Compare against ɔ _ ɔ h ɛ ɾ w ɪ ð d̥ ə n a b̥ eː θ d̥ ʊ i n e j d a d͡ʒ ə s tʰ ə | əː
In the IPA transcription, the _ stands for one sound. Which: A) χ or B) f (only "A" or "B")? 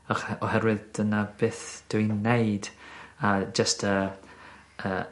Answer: A